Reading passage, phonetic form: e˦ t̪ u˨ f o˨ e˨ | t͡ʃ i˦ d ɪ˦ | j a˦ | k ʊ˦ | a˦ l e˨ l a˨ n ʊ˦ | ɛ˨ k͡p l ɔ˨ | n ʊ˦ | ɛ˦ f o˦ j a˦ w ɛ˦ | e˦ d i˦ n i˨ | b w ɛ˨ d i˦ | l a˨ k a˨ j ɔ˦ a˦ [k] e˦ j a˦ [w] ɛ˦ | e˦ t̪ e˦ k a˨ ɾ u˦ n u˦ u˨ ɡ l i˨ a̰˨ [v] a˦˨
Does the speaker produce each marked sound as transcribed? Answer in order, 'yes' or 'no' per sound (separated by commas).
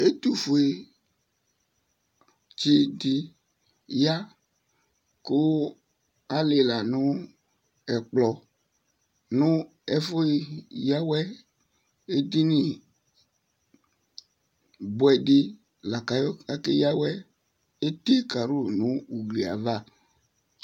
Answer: yes, yes, yes